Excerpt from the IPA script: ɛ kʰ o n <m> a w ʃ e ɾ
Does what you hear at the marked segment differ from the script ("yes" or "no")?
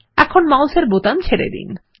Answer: no